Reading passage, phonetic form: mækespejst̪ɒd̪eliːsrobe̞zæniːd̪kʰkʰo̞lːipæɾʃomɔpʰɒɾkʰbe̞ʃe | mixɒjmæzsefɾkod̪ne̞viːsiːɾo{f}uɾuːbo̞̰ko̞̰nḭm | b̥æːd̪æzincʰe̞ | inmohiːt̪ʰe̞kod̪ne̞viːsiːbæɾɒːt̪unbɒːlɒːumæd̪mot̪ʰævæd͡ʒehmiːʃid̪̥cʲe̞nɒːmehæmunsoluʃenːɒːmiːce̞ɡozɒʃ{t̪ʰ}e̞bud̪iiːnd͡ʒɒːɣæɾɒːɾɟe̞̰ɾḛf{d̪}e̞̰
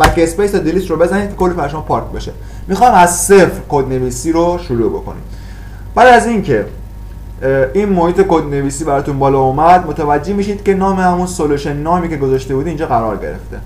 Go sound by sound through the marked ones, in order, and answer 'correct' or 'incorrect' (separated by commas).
incorrect, incorrect, incorrect